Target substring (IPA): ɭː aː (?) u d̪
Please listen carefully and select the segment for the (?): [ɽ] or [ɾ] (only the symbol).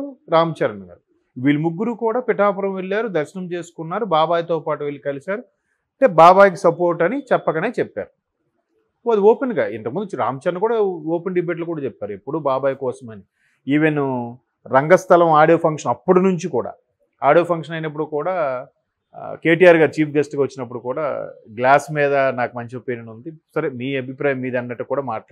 ɾ